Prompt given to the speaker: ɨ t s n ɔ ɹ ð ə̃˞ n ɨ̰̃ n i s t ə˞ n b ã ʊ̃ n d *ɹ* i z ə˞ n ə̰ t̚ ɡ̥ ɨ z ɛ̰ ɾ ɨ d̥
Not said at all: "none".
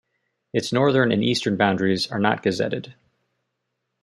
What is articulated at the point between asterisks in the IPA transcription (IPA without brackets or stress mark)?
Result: ɹ